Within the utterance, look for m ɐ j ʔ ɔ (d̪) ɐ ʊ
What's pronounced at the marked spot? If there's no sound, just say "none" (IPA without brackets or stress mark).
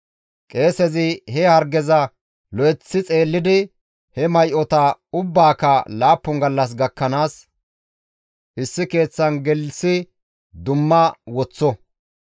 t̪